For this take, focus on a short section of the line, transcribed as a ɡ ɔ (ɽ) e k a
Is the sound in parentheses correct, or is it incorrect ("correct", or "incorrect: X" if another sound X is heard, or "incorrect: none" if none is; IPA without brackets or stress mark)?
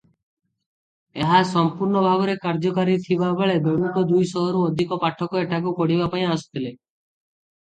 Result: incorrect: ɾ